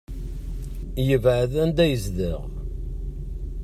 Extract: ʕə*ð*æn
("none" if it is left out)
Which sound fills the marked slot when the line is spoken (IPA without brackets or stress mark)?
ð